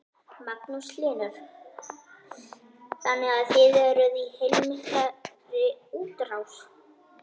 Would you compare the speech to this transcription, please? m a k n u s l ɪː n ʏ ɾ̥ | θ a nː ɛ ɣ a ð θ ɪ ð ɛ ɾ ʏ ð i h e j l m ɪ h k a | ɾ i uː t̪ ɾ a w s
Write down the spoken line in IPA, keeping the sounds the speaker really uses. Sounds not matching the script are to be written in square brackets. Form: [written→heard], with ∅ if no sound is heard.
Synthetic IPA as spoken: m a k n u s l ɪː n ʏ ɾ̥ | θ a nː ɛ ɣ a ð θ ɪ ð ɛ ɾ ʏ ð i h e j l m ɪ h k a | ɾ [i→ɪ] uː t̪ ɾ a w s